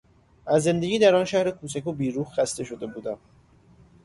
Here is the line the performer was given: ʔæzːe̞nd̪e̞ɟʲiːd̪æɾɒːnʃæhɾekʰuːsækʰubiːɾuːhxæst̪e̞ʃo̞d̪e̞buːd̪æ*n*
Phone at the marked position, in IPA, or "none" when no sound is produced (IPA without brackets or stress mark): m